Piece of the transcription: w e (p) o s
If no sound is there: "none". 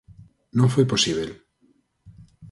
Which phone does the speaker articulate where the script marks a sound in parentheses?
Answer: p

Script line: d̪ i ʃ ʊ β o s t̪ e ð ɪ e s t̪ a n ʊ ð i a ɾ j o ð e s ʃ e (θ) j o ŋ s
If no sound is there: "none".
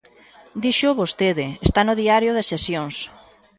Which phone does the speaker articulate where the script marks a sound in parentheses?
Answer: s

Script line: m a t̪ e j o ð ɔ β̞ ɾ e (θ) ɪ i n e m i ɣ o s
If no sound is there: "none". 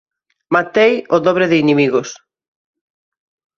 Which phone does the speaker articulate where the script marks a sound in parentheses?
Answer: ð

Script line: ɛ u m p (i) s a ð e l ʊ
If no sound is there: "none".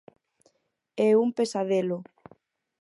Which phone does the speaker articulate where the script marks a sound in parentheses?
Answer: e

